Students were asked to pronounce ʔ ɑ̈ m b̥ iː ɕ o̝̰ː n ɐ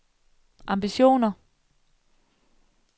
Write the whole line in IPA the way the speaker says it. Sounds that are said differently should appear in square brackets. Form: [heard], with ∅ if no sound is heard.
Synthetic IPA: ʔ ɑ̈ m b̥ [i] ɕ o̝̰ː n ɐ